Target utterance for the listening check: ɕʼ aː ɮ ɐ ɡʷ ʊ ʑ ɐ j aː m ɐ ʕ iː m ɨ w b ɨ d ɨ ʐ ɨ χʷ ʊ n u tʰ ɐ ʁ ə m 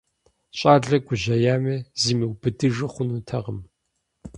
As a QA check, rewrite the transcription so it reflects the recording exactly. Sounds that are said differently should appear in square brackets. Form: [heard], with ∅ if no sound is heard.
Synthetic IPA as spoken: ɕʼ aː ɮ ɐ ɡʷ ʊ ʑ ɐ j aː m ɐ [z] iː m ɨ w b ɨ d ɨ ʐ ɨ χʷ ʊ n u tʰ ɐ ʁ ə m